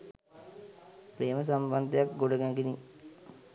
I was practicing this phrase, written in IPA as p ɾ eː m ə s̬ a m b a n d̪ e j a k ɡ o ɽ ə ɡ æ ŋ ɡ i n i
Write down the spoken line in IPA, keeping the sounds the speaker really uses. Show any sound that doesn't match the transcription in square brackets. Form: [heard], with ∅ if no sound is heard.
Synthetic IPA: p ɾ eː m ə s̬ a m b a n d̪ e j a k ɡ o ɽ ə ɡ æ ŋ ɡ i n i